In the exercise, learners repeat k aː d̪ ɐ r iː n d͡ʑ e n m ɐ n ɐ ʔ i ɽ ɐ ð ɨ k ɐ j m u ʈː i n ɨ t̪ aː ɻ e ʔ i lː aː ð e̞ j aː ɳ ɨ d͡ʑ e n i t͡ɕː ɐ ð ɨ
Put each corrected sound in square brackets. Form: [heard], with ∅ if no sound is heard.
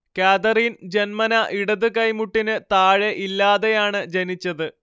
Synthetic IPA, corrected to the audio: k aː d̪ ɐ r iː n d͡ʑ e n m ɐ n ɐ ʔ i ɽ ɐ ð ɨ k ɐ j m u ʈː i n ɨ t̪ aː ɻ e ʔ i lː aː ð e̞ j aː ɳ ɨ d͡ʑ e n i t͡ɕː ɐ ð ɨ